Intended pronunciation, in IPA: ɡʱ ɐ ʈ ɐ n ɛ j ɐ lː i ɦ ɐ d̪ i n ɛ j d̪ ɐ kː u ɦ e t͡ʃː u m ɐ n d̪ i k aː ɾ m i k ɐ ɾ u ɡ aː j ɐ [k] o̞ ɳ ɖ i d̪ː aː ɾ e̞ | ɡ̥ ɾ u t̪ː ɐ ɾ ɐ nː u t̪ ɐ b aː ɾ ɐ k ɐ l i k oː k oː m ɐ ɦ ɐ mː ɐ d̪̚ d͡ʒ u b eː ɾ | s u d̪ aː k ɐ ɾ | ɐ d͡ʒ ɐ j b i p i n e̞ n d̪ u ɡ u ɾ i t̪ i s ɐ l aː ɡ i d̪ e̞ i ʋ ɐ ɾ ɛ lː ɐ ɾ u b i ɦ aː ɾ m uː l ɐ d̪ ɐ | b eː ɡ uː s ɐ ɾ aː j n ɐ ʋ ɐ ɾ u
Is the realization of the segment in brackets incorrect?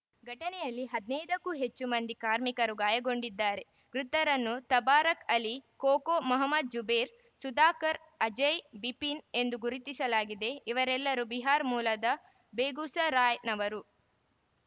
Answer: yes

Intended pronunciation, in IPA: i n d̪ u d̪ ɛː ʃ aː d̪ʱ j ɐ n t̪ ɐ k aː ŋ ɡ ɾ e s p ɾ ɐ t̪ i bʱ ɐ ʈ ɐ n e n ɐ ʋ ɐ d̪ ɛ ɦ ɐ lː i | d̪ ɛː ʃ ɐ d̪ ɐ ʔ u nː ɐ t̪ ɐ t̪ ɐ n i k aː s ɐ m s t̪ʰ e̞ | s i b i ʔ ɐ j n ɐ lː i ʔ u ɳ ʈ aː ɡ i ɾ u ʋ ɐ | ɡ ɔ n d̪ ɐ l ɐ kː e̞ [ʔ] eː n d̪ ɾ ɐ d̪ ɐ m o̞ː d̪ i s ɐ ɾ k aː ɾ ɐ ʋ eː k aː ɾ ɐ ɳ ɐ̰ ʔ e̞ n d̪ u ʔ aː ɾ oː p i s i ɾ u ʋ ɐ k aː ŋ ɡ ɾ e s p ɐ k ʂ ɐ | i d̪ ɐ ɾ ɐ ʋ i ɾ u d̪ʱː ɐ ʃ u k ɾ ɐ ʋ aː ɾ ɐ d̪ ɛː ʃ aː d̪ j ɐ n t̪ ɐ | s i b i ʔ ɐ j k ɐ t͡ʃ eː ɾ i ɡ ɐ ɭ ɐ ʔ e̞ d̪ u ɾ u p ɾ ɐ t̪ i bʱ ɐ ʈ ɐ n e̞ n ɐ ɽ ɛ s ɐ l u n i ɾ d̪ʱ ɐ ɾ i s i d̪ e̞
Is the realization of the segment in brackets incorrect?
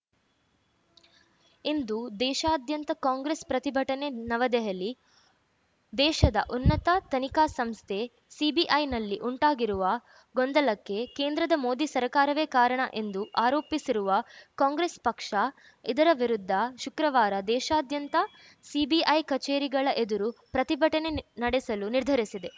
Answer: yes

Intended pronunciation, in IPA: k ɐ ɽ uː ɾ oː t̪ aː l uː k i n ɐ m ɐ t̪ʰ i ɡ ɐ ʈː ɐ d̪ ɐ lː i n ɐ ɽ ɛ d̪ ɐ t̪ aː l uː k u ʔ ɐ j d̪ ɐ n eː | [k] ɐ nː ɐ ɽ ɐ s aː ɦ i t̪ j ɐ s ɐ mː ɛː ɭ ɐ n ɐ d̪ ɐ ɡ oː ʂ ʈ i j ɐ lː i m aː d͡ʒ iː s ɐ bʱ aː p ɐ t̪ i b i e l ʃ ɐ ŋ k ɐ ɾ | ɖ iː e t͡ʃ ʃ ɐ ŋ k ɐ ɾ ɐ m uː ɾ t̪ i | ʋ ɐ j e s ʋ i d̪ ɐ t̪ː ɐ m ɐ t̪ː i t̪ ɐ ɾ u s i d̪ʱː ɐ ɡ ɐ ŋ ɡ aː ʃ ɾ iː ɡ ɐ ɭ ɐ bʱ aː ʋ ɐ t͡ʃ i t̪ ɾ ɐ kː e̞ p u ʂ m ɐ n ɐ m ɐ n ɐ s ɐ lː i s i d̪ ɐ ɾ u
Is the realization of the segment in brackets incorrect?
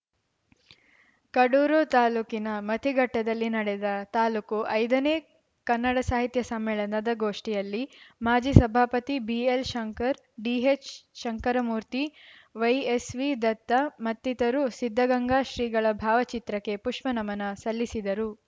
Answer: no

